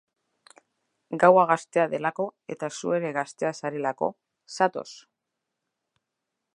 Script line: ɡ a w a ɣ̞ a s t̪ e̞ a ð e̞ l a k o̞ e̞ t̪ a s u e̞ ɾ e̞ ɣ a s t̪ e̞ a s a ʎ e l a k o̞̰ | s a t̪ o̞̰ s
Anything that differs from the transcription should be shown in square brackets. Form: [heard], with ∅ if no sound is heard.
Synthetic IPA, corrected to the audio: ɡ a w a ɣ̞ a s t̪ e̞ a ð e̞ l a k o̞ e̞ t̪ a s u e̞ ɾ e̞ ɣ a s t̪ e̞ a s a [ɾ] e l a k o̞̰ | s a t̪ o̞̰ s